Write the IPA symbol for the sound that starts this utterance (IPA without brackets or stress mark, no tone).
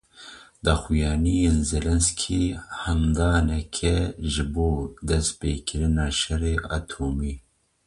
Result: d̪